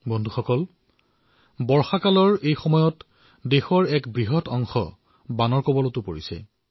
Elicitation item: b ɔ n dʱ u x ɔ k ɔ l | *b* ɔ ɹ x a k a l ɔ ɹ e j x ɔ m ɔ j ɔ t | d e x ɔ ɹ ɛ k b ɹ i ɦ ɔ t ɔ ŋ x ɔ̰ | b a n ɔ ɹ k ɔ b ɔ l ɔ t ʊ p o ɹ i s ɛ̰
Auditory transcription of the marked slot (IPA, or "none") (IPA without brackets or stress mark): b